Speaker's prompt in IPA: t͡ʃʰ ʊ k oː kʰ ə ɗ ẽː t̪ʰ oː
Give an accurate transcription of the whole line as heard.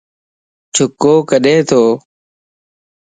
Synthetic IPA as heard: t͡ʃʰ ʊ k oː k ə ɗ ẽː t̪ʰ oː